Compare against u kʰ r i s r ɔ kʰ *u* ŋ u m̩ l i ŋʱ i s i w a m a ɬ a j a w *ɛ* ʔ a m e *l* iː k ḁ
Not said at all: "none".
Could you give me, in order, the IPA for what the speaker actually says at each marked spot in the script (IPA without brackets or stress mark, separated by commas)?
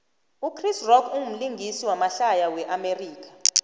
u, ɛ, r